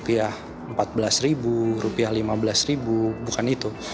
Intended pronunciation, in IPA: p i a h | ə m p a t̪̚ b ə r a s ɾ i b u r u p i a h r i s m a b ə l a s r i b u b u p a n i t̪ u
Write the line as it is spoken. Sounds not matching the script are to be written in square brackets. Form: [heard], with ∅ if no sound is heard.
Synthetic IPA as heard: p i a h | ə m p a t̪̚ b ə [l] a s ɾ i b u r u p i a h [l] i [∅] m a b ə l a s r i b u b u [k] a n i t̪ u